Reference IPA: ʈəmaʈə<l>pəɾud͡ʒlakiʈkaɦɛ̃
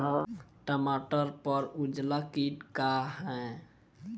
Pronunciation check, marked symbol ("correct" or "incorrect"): incorrect